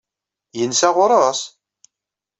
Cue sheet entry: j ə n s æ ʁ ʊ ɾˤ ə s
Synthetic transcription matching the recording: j ə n s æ ʁ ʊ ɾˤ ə s